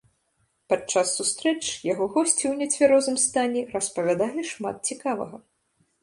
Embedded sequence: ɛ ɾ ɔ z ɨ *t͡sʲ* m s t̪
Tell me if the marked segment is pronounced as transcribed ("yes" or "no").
no